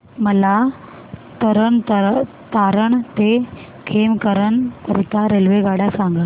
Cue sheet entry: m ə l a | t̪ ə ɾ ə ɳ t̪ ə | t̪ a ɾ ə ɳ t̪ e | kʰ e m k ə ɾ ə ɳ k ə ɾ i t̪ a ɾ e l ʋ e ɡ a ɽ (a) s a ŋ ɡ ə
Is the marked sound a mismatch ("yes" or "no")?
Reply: no